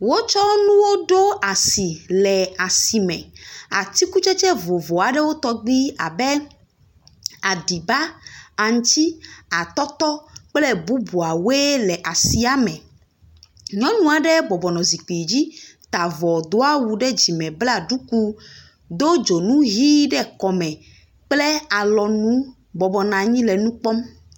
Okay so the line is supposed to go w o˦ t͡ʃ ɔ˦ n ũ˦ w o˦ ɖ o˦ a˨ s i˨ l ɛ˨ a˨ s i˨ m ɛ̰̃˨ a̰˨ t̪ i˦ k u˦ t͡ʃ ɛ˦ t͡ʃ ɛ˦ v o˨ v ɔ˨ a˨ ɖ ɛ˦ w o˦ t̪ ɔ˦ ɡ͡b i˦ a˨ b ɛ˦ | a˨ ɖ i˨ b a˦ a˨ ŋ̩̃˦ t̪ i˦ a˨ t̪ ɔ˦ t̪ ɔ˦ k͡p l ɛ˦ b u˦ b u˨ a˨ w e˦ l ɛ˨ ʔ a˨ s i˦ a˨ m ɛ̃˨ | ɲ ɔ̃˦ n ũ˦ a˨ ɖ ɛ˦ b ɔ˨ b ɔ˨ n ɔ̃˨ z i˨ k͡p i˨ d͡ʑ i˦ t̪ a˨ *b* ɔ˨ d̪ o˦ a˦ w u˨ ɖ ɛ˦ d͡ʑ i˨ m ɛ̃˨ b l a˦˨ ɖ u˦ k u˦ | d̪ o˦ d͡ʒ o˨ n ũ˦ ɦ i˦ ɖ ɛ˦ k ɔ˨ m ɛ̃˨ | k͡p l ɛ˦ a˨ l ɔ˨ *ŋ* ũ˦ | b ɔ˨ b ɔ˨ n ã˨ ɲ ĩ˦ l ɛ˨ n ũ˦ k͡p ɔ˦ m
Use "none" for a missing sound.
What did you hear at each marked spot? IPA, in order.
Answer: v, n

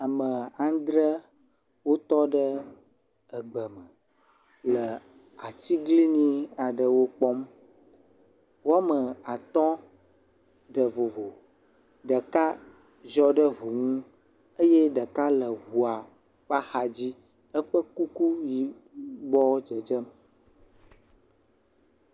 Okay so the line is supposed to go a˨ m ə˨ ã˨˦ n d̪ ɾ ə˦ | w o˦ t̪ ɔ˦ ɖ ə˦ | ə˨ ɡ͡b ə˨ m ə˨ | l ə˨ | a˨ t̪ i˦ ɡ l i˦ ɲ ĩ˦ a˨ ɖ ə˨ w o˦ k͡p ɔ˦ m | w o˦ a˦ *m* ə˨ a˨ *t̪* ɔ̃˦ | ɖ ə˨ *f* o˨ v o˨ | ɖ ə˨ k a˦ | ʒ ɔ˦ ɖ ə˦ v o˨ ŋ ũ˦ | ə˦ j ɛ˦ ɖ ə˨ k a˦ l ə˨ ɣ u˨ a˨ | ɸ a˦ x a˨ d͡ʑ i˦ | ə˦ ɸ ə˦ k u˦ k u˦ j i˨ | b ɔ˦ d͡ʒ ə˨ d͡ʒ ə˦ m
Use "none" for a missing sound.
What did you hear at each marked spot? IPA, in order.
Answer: m, t̪, v

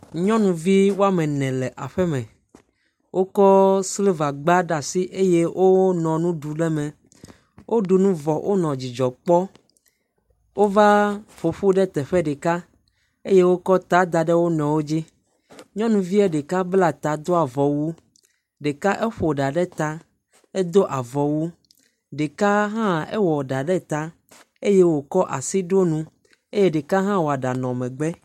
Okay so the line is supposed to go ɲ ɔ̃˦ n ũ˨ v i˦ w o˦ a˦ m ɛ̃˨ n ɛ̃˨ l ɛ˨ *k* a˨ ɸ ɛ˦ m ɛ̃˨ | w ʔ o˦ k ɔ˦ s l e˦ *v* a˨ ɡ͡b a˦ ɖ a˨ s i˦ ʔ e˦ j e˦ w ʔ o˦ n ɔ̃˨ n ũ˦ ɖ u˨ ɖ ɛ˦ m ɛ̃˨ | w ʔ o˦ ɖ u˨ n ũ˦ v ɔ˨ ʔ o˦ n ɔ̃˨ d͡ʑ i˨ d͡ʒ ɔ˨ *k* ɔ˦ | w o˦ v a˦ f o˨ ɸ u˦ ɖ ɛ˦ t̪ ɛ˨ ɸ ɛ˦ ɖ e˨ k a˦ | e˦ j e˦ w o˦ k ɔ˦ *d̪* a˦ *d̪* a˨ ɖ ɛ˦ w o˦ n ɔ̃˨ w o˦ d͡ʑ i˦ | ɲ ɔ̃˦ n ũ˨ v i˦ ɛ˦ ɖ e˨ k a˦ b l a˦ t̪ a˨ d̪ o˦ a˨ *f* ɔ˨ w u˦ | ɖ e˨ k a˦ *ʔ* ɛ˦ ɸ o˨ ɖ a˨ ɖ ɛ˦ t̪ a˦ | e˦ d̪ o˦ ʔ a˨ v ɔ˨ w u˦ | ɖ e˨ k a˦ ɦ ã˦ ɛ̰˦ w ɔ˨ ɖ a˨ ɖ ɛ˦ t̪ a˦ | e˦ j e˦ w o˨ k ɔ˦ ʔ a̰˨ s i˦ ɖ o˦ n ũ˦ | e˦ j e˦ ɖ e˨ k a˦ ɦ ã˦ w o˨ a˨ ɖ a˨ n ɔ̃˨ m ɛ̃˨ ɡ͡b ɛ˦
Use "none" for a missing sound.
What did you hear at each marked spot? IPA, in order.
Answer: ʔ, v, k͡p, t̪, d̪, v, ʔ

